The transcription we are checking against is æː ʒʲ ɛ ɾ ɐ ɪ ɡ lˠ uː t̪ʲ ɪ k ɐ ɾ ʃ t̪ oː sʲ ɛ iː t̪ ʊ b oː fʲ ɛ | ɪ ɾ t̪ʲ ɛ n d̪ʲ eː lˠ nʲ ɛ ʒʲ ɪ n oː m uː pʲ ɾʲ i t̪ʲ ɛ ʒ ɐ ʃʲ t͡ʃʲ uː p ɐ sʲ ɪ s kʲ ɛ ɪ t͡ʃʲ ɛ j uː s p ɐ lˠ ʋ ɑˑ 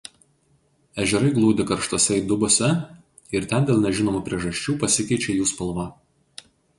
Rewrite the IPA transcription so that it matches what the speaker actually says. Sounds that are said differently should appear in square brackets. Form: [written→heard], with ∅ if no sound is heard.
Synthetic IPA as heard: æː ʒʲ ɛ ɾ ɐ ɪ ɡ lˠ uː [t̪ʲ→d̪ʲ] ɪ k ɐ ɾ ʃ t̪ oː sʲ ɛ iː [t̪→d̪] ʊ b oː [fʲ→sʲ] ɛ | ɪ ɾ t̪ʲ ɛ n d̪ʲ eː lˠ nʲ ɛ ʒʲ ɪ n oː m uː pʲ ɾʲ i [t̪ʲ→∅] ɛ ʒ ɐ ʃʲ t͡ʃʲ uː p ɐ sʲ ɪ [s→∅] kʲ ɛ ɪ t͡ʃʲ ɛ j uː s p ɐ lˠ ʋ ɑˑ

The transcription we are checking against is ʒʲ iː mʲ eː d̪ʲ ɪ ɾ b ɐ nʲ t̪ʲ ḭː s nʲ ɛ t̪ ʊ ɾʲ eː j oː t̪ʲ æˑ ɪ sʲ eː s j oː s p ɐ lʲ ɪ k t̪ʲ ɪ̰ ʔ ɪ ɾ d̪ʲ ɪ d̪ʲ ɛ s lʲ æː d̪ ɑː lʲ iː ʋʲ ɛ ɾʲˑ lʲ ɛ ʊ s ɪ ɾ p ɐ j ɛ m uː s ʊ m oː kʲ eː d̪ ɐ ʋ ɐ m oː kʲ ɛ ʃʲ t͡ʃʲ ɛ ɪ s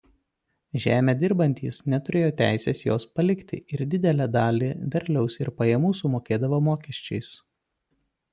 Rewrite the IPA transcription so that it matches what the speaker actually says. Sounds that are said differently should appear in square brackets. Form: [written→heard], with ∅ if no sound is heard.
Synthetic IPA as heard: ʒʲ [iː→æː] mʲ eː d̪ʲ ɪ ɾ b ɐ nʲ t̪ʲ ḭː s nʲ ɛ t̪ ʊ ɾʲ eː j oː t̪ʲ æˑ ɪ sʲ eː s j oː s p ɐ lʲ ɪ k t̪ʲ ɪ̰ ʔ ɪ ɾ d̪ʲ ɪ d̪ʲ ɛ [s→∅] lʲ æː d̪ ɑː lʲ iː ʋʲ ɛ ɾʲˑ lʲ ɛ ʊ s ɪ ɾ p ɐ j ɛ m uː s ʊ m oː kʲ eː d̪ ɐ ʋ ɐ m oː kʲ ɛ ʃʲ t͡ʃʲ ɛ ɪ s

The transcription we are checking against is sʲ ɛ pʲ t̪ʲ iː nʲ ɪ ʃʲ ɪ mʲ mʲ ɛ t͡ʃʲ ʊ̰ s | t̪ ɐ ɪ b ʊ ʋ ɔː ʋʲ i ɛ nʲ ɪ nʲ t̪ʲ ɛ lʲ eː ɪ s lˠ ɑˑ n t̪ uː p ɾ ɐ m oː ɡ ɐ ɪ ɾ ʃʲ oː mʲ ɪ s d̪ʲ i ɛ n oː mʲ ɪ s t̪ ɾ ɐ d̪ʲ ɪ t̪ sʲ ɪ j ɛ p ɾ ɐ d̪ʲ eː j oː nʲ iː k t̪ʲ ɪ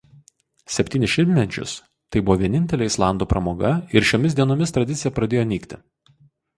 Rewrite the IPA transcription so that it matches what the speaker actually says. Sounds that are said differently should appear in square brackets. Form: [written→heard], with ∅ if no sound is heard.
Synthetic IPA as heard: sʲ ɛ pʲ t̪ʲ iː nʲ ɪ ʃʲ ɪ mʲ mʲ ɛ t͡ʃʲ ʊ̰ s | t̪ ɐ ɪ b ʊ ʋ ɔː ʋʲ i ɛ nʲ ɪ nʲ t̪ʲ ɛ lʲ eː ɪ s lˠ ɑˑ n [t̪→d̪] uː p ɾ ɐ m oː ɡ ɐ ɪ ɾ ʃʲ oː mʲ ɪ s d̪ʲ i ɛ n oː mʲ ɪ s t̪ ɾ ɐ d̪ʲ ɪ t̪ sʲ ɪ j ɛ p ɾ ɐ d̪ʲ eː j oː nʲ iː k t̪ʲ ɪ

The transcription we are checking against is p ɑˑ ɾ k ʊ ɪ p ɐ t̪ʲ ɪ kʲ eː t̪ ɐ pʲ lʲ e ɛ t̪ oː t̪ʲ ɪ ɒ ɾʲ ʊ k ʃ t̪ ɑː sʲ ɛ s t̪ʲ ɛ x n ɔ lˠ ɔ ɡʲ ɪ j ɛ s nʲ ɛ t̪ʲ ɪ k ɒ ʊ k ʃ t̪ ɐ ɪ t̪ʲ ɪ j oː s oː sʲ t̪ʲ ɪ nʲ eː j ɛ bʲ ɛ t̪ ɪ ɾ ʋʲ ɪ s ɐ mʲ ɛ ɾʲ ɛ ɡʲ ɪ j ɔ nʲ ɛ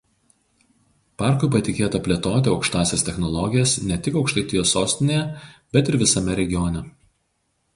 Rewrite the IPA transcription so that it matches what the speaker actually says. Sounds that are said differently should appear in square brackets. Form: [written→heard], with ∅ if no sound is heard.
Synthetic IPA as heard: p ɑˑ ɾ k ʊ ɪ p ɐ t̪ʲ ɪ kʲ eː t̪ ɐ pʲ lʲ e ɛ t̪ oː t̪ʲ ɪ ɒ [ɾʲ→∅] ʊ k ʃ t̪ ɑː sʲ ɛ s t̪ʲ ɛ x n ɔ lˠ ɔ ɡʲ ɪ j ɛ s nʲ ɛ t̪ʲ ɪ k ɒ ʊ k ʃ t̪ ɐ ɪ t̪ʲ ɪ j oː s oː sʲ t̪ʲ ɪ nʲ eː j ɛ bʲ ɛ t̪ ɪ ɾ ʋʲ ɪ s ɐ mʲ ɛ ɾʲ ɛ ɡʲ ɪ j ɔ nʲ ɛ

